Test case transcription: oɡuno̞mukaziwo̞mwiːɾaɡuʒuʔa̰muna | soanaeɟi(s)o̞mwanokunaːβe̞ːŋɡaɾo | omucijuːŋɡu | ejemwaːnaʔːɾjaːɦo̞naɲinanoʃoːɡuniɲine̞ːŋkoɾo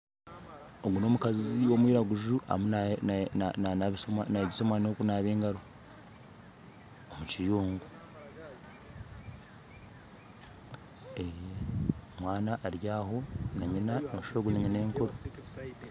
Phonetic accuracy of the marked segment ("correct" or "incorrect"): correct